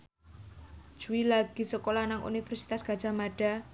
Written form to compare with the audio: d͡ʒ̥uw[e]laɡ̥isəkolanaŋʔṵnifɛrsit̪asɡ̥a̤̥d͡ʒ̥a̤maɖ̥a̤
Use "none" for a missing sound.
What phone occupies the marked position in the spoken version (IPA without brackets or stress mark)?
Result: i